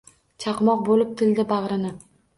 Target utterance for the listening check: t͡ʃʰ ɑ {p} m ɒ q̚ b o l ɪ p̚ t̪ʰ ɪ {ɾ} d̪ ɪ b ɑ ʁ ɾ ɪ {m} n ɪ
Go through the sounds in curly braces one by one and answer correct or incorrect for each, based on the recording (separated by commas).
incorrect, incorrect, incorrect